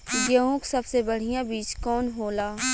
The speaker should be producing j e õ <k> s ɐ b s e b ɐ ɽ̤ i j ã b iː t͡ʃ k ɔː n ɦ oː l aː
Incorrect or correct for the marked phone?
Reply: correct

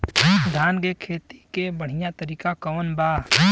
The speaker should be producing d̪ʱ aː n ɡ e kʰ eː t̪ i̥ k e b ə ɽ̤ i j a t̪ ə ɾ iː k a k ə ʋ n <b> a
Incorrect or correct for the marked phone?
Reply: correct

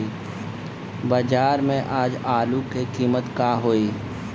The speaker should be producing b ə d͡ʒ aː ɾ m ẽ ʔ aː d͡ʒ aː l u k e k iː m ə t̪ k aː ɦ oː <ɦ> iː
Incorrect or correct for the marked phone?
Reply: incorrect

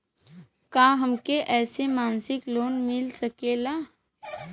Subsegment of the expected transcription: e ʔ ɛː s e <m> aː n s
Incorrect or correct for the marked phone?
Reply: correct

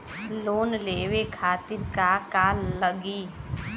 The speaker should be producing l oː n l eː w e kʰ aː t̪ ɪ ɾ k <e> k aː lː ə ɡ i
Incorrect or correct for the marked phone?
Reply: incorrect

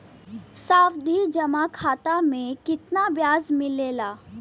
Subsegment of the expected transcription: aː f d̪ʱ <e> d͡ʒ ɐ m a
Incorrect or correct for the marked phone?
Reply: incorrect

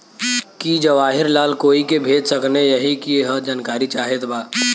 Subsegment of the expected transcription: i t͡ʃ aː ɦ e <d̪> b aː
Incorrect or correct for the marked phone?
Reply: incorrect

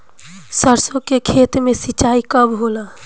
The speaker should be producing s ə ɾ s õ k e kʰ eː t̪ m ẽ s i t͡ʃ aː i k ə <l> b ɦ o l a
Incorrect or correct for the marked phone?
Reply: incorrect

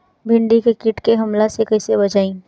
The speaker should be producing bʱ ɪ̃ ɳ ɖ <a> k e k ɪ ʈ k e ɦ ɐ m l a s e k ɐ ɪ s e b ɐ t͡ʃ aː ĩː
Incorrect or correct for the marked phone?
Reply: incorrect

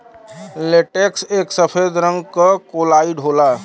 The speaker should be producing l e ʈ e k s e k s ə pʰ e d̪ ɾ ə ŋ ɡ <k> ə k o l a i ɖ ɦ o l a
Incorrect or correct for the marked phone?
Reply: correct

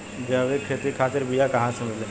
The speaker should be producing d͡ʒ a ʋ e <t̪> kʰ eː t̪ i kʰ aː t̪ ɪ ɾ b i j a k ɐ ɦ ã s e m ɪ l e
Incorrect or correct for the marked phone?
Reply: incorrect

